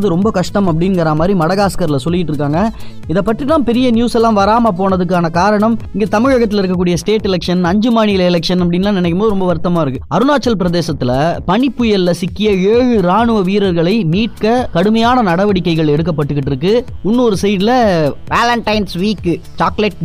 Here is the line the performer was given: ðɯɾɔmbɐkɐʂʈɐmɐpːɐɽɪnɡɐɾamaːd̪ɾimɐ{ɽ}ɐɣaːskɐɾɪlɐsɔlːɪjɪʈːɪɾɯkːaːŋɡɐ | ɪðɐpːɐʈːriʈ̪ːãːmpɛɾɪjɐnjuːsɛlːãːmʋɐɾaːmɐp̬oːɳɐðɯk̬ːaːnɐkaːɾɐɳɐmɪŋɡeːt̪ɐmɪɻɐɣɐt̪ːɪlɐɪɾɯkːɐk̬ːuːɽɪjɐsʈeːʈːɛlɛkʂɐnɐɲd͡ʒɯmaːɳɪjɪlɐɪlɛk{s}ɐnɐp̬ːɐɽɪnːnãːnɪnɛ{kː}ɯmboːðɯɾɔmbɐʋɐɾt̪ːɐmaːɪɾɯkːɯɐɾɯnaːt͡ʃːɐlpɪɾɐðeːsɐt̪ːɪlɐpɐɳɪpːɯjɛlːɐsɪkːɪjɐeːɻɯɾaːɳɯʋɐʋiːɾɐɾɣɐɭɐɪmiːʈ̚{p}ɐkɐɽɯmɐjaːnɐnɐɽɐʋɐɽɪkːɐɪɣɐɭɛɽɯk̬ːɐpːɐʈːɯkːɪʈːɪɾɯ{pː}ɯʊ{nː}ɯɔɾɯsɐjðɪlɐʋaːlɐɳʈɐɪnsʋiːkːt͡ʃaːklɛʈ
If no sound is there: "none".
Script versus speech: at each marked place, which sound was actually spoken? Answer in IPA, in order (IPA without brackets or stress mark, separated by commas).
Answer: ɽ, ʂ, kː, k, kː, nː